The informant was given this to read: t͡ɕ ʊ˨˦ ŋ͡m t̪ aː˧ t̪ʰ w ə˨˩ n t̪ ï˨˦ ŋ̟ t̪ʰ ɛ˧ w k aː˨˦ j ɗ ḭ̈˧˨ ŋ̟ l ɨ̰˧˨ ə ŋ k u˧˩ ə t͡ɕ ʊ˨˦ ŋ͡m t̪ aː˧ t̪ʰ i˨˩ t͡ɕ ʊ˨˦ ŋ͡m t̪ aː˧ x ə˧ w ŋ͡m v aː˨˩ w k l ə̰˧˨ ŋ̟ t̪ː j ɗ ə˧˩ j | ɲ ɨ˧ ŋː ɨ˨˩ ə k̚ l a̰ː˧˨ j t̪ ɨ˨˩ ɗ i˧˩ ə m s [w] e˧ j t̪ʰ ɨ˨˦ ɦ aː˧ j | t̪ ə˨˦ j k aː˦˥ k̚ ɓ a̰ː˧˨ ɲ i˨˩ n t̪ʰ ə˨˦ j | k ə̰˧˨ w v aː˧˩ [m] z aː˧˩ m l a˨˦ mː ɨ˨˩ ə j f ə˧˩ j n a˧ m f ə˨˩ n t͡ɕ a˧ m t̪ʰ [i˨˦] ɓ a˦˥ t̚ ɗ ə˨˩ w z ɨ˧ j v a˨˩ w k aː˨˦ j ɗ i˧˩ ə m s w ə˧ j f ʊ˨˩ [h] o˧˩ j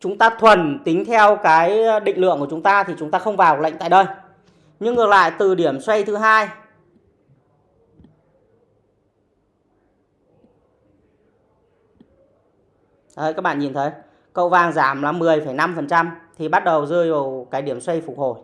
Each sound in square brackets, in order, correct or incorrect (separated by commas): correct, incorrect, incorrect, correct